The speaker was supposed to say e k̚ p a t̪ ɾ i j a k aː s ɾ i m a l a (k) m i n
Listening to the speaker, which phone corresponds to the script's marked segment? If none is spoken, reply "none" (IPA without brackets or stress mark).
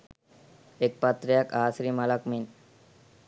k